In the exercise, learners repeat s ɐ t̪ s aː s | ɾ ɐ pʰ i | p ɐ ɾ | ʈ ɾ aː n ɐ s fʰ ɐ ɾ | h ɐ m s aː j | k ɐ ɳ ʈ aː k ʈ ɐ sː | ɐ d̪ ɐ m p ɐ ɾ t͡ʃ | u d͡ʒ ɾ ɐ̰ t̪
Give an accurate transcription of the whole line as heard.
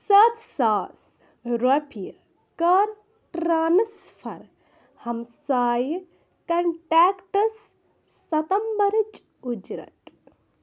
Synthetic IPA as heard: s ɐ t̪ s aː s | ɾ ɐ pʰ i | k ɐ ɾ | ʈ ɾ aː n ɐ s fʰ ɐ ɾ | h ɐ m s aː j | k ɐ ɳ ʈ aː k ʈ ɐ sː | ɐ t̪ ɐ m b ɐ ɾ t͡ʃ | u d͡ʒ ɾ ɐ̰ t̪